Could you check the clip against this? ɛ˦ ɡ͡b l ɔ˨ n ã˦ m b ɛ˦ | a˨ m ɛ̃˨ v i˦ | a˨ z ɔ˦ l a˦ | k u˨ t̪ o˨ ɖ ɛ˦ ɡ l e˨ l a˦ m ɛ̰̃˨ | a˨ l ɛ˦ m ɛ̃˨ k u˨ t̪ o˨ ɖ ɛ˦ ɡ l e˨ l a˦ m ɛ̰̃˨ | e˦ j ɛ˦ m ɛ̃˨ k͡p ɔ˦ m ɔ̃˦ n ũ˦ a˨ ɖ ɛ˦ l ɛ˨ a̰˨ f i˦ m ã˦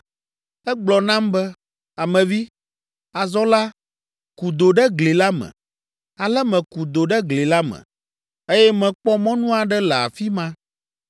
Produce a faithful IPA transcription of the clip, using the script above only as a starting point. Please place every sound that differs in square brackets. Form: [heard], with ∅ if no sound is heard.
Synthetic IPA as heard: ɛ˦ ɡ͡b l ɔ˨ n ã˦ m b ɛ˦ | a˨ m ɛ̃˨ v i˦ | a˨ z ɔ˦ l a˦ | k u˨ [d̪] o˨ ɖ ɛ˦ ɡ l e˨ l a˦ m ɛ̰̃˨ | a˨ l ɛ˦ m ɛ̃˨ k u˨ [d̪] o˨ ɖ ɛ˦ ɡ l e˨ l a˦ m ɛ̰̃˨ | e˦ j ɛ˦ m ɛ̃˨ k͡p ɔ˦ m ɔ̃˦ n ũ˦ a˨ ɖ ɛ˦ l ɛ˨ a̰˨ f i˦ m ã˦